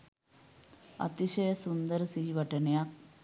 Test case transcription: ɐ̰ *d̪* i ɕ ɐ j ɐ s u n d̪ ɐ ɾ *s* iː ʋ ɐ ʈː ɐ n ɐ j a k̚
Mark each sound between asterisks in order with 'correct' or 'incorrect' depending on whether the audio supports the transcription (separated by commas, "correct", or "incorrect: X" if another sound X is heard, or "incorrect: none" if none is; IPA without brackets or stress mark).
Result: incorrect: t̪, correct